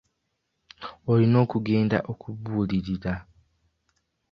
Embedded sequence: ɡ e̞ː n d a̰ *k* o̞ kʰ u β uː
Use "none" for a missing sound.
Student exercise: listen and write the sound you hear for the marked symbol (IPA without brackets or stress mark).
ʔ